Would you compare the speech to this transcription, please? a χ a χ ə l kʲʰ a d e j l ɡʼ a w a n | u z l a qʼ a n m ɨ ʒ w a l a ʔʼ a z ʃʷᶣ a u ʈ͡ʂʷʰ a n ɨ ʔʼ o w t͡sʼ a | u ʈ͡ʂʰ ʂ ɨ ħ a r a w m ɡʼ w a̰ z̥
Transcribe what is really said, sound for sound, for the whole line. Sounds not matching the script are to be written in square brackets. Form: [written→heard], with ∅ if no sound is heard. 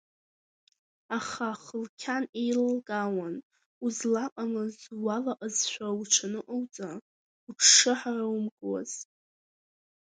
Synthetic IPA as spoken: a χ a χ ə l kʲʰ a [d→n] e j l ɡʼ a w a n | u z l a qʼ a [n→∅] m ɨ [ʒ→z] w a l a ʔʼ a z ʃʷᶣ a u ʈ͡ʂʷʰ a n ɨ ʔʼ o w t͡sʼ a | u ʈ͡ʂʰ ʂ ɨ ħ a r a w m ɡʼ w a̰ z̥